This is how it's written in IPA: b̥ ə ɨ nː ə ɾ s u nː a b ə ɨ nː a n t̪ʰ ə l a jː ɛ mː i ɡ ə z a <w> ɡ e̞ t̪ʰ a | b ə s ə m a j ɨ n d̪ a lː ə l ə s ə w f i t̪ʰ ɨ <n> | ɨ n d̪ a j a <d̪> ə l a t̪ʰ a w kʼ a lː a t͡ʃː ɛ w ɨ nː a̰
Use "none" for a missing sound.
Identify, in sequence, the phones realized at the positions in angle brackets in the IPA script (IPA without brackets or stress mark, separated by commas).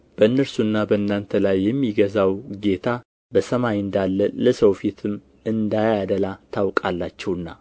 w, m, d̪